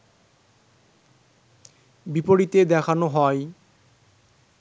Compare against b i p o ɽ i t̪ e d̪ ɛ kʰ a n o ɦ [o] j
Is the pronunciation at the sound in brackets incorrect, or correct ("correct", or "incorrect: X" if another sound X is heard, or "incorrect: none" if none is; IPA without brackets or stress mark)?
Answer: incorrect: ɔ